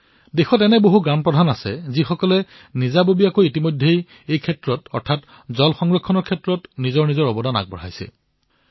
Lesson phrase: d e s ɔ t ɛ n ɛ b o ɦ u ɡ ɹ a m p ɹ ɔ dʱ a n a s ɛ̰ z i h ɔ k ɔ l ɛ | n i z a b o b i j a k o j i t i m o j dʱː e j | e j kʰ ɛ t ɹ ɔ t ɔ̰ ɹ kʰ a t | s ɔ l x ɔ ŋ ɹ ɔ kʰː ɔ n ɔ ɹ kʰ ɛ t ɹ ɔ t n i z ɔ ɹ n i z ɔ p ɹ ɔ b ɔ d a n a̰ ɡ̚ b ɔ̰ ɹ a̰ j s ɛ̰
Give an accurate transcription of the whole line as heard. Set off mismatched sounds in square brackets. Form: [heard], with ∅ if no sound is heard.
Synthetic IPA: d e [x] ɔ t ɛ n ɛ b o ɦ u ɡ ɹ a m p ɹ ɔ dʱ a n a s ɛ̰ z i [x] ɔ k ɔ l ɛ | n i z a b o b i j a k o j i t i m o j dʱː e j | e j kʰ ɛ t ɹ ɔ t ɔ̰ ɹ [tʰ] a t | [z] ɔ l x ɔ ŋ ɹ ɔ kʰː ɔ n ɔ ɹ kʰ ɛ t ɹ ɔ t n i z ɔ ɹ n i z ɔ [∅] ɹ ɔ b ɔ d a n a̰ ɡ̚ b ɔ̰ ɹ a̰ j s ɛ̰

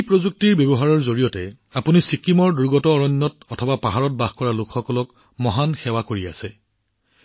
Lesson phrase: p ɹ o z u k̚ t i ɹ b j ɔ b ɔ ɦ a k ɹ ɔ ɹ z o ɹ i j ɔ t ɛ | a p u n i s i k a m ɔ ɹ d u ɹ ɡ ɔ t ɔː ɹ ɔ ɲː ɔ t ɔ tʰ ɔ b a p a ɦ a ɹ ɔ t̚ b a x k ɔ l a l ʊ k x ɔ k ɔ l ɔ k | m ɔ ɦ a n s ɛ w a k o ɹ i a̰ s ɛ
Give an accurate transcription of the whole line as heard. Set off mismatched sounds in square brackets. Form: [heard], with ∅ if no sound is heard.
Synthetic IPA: p ɹ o z u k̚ t i ɹ b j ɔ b ɔ ɦ a [∅] ɹ ɔ ɹ z o ɹ i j ɔ t ɛ | a p u n i s i k [i] m ɔ ɹ d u ɹ ɡ ɔ t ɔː ɹ ɔ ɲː ɔ t ɔ tʰ ɔ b a p a ɦ a ɹ ɔ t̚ b a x k ɔ [ɹ] a l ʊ k x ɔ k ɔ l ɔ k | m ɔ ɦ a n [x] ɛ w a k o ɹ i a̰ s ɛ

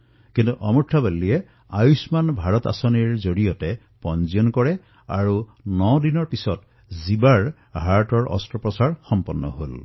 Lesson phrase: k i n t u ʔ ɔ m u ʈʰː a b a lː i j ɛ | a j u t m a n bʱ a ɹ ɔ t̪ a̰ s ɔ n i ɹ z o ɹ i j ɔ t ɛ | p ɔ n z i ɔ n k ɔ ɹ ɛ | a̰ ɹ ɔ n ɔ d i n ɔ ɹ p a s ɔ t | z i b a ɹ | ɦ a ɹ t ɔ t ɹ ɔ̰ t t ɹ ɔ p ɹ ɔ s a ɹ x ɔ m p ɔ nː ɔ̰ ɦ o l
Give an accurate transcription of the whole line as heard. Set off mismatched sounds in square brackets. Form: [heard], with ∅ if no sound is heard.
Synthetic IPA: k i n t u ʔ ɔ m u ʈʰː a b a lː i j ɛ | a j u [s] m a n bʱ a ɹ ɔ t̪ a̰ s ɔ n i ɹ z o ɹ i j ɔ t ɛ | p ɔ n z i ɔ n k ɔ ɹ ɛ | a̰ ɹ [u] n ɔ d i n ɔ ɹ p [i] s ɔ t | z i b a ɹ | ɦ a ɹ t ɔ [∅] ɹ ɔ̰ [s] t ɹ ɔ p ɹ ɔ s a ɹ x ɔ m p ɔ nː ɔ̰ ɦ o l

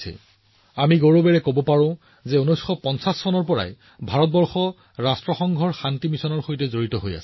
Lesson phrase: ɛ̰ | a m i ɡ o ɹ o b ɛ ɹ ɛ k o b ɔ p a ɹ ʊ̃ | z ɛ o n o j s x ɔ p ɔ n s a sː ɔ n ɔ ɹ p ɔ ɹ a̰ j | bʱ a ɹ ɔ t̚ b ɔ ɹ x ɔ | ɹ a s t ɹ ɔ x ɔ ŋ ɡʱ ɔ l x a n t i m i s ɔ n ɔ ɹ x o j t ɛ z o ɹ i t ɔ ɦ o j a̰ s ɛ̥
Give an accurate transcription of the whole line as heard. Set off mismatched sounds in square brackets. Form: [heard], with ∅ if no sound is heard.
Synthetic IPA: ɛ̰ | a m i ɡ o ɹ o b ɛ ɹ ɛ k o b ɔ p a ɹ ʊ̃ | z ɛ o n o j s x ɔ p ɔ n s a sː ɔ n ɔ ɹ p ɔ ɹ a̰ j | bʱ a ɹ ɔ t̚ b ɔ ɹ x ɔ | ɹ a s t ɹ ɔ x ɔ ŋ ɡʱ ɔ [ɹ] x a n t i m i s ɔ n ɔ ɹ x o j t ɛ z o ɹ i t ɔ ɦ o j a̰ s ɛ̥

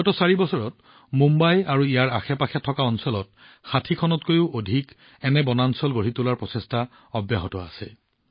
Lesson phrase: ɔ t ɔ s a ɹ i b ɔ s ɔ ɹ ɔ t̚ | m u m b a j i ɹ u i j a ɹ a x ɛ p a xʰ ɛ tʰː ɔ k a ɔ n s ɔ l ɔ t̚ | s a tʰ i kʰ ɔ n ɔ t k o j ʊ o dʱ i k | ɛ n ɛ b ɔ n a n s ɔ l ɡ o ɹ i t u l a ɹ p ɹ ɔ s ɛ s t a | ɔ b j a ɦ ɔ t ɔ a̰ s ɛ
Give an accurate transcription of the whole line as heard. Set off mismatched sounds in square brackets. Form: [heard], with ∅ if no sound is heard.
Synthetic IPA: ɔ t ɔ s a ɹ i b ɔ s ɔ ɹ ɔ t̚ | m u m b a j [a] ɹ u i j a ɹ a x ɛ p a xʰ ɛ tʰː ɔ k a ɔ n s ɔ l ɔ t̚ | [x] a tʰ i kʰ ɔ n ɔ t k o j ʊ o dʱ i k | ɛ n ɛ b ɔ n a n s ɔ l ɡ o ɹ i t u l a ɹ p ɹ ɔ s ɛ s t a | ɔ b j a ɦ ɔ t ɔ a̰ s ɛ

